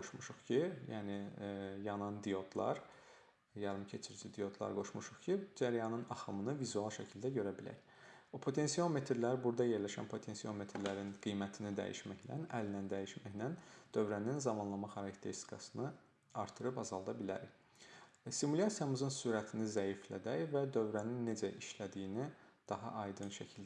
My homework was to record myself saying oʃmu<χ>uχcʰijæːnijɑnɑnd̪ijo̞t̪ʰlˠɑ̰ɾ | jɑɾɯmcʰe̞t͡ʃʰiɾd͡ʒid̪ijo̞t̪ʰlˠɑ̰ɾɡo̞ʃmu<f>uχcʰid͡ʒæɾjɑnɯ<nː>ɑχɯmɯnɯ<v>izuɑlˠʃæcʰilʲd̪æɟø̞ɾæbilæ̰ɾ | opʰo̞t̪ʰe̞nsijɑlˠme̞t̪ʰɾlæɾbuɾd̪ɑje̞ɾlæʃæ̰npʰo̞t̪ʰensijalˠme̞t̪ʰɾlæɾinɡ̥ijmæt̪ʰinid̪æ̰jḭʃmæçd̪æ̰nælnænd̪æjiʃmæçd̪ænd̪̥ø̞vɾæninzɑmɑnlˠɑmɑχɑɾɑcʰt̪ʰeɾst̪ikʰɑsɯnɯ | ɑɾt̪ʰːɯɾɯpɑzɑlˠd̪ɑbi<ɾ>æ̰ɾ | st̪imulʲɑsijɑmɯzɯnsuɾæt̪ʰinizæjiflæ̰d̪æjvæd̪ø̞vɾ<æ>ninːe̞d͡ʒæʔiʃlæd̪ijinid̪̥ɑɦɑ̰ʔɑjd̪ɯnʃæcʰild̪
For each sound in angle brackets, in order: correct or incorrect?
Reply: incorrect: ʃ, incorrect: ʃ, incorrect: n, correct, incorrect: l, correct

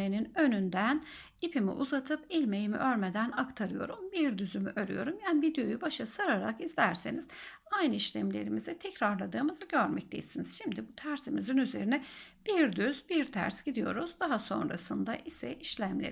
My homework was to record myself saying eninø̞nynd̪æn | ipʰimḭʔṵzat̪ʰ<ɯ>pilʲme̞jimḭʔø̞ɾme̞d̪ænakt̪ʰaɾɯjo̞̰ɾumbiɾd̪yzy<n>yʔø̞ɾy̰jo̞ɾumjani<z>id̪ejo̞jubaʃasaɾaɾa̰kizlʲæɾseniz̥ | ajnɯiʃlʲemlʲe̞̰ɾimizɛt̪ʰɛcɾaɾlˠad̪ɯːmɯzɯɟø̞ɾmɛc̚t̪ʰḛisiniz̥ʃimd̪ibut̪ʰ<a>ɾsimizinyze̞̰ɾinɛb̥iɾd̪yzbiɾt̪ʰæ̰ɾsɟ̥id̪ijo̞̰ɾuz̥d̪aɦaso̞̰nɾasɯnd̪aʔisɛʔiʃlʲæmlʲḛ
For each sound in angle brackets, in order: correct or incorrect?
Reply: correct, incorrect: m, incorrect: v, incorrect: æ

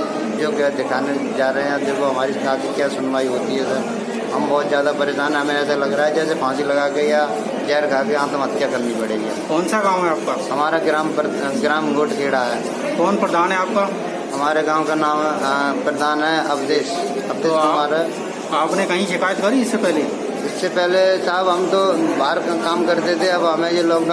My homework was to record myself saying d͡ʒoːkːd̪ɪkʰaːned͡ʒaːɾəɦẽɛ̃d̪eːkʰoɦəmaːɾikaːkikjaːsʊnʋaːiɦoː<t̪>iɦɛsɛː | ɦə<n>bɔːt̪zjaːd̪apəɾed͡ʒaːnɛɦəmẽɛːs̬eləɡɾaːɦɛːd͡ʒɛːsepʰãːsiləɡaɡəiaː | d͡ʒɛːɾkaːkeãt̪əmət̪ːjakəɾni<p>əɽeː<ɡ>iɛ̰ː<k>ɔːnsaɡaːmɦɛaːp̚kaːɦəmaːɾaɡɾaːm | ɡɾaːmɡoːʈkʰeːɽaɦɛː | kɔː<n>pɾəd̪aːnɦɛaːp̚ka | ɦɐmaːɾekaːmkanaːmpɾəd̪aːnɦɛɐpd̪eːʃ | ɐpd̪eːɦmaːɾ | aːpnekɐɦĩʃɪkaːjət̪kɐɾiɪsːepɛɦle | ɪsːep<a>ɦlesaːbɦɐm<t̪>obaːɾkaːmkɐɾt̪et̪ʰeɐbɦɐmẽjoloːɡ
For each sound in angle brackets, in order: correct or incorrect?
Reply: correct, incorrect: m, correct, correct, correct, correct, incorrect: ɛ, correct

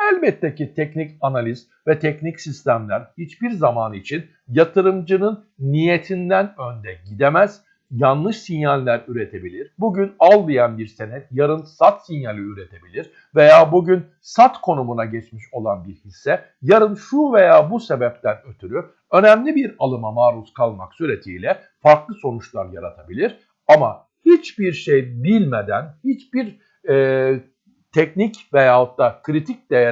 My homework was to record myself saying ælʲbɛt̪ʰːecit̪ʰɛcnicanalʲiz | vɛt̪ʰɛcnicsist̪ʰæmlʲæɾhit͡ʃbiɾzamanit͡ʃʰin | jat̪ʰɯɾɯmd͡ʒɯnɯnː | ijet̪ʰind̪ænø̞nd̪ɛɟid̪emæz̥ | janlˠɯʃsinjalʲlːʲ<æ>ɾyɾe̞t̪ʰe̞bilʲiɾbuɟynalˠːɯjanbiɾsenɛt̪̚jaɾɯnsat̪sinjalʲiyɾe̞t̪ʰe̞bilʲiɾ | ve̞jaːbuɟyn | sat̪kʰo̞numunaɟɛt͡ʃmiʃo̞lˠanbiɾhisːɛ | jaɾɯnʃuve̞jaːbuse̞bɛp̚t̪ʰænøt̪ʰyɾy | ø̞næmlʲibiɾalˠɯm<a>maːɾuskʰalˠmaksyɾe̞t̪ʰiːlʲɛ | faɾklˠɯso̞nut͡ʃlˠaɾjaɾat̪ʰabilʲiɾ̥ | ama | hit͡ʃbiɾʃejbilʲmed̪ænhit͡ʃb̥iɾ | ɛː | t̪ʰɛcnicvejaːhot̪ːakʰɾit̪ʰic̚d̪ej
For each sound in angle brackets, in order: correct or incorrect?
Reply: correct, correct

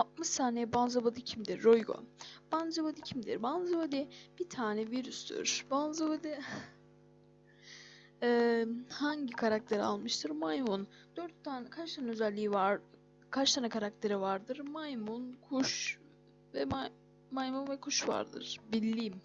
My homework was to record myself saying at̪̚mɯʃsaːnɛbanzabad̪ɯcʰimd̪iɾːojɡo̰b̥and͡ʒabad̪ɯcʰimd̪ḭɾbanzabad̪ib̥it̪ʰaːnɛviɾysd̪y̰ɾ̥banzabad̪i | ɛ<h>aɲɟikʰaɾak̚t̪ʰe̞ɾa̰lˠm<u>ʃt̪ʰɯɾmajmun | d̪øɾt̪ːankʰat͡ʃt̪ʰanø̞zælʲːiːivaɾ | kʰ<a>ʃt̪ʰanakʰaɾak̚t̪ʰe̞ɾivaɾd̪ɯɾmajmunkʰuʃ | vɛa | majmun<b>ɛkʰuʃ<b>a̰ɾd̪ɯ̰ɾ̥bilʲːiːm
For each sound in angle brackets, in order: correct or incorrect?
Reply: correct, incorrect: ɯ, correct, incorrect: v, incorrect: v

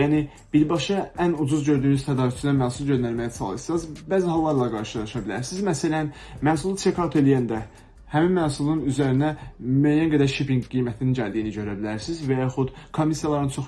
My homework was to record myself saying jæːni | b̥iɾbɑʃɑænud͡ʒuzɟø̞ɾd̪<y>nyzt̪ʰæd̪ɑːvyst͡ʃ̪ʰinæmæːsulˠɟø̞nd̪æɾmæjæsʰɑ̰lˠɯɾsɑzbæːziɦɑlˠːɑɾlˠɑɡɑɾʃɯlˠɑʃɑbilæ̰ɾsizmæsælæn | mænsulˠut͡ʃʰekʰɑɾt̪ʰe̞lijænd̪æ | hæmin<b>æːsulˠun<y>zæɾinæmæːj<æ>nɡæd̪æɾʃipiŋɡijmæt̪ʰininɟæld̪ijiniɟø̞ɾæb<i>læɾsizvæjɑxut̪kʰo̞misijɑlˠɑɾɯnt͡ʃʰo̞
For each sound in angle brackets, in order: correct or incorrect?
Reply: incorrect: yː, incorrect: m, correct, correct, correct

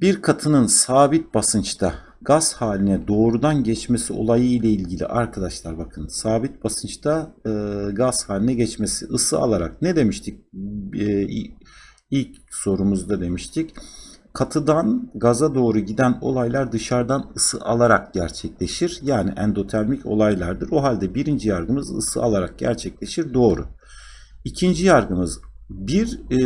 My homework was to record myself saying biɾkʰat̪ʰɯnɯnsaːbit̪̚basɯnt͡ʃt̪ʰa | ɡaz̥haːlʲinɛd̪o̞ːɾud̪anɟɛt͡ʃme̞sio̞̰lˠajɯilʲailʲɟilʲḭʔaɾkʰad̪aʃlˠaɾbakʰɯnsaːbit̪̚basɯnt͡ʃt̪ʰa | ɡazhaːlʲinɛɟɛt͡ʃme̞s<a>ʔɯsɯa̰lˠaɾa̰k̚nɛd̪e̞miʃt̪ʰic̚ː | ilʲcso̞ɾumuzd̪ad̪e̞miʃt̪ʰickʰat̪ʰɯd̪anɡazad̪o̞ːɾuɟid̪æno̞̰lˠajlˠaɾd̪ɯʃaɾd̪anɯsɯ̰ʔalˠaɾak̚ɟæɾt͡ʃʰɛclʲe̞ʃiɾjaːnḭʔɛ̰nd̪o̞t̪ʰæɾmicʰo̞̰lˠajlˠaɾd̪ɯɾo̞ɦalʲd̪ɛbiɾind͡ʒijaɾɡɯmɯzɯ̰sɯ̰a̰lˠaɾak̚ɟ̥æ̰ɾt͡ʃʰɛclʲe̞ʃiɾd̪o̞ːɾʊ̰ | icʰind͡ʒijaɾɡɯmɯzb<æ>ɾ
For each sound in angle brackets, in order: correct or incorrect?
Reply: incorrect: i, incorrect: i

